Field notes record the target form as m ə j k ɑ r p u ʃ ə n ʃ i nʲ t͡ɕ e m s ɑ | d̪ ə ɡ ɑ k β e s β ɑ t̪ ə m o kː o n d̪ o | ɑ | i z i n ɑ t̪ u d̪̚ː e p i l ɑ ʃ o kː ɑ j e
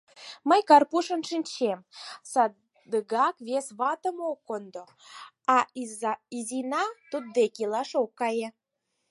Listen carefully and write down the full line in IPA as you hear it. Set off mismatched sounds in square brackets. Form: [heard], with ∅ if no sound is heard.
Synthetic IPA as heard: m ə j k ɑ r p u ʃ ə n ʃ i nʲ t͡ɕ e m s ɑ | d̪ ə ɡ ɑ k β e s β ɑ t̪ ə m o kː o n d̪ o | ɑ | i z i n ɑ t̪ u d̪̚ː e [k] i l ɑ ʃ o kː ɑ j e

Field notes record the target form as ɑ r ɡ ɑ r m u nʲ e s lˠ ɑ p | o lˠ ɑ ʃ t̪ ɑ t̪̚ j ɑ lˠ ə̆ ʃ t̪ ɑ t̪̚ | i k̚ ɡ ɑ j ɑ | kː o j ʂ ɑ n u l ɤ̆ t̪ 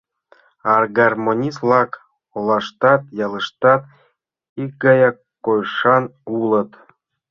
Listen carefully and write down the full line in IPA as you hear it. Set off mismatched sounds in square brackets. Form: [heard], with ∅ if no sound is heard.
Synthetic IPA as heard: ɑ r ɡ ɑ r m [o] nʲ [i] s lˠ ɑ [k] | o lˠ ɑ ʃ t̪ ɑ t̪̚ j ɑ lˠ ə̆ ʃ t̪ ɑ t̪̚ | i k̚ ɡ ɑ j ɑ | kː o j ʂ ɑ n u l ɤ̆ t̪

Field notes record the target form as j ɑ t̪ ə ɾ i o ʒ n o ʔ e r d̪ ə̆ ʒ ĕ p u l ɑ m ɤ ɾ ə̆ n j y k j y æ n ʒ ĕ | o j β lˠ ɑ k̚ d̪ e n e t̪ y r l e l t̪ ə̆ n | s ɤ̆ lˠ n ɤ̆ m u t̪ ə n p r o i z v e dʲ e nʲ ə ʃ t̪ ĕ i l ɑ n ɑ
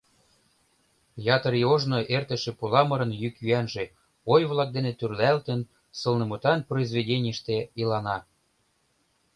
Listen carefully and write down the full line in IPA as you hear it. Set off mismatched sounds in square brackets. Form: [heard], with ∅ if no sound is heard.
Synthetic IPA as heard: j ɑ t̪ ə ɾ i o ʒ n o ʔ e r [t̪] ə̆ [ʃ] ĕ p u l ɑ m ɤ ɾ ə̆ n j y k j y æ n ʒ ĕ | o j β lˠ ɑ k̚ d̪ e n e t̪ y r l [æ] l t̪ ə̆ n | s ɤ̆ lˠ n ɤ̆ m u t̪ [ɑ] n p r o i z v e dʲ e nʲ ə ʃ t̪ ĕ i l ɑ n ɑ

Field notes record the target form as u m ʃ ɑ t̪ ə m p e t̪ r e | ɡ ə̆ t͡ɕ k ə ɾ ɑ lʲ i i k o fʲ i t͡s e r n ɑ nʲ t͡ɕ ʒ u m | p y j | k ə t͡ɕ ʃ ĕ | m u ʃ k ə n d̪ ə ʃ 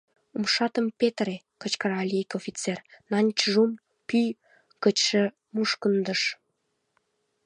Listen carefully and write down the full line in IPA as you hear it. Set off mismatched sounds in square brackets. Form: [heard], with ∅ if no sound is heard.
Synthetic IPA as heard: u m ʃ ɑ t̪ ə m p e t̪ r e | [k] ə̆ t͡ɕ k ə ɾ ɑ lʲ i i k o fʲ i t͡s e r n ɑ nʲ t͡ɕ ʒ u m | p y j | k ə t͡ɕ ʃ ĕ | m u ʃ k ə n d̪ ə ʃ

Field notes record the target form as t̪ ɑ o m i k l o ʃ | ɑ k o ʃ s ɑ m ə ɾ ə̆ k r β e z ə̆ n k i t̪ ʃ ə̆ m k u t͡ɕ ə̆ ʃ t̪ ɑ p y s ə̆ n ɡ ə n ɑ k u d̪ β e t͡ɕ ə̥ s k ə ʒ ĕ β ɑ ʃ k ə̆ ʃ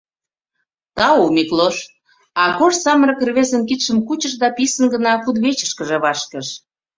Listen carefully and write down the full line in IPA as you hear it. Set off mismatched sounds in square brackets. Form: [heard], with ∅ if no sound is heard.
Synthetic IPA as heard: t̪ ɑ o m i k l o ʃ | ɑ k o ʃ s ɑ m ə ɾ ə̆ k r β e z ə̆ n k i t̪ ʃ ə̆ m k u t͡ɕ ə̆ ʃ [d̪] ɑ p [i] s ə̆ n ɡ ə n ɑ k u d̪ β e t͡ɕ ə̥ [ʃ] k ə ʒ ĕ β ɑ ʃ k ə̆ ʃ

